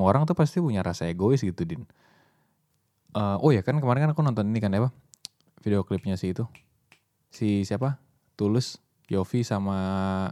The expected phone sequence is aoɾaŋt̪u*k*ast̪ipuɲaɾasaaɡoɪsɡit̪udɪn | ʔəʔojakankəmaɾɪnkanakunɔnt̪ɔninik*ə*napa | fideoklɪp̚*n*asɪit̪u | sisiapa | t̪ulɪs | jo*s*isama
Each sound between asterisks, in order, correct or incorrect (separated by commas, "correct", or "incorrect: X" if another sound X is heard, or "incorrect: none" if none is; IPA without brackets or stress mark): incorrect: p, incorrect: a, incorrect: ɲ, incorrect: f